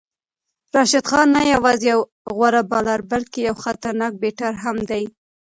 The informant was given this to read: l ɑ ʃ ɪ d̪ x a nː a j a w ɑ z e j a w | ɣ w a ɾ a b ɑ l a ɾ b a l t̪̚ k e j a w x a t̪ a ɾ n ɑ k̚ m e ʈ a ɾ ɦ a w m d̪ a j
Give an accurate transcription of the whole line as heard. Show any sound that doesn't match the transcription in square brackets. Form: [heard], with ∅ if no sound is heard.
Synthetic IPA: [ɾ] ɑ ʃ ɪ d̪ x [ɑ] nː a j a w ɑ z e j a w | ɣ w a ɾ a b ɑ l a ɾ b a l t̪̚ k e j a w x a t̪ a ɾ n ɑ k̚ [b] e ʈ a ɾ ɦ a [∅] m d̪ a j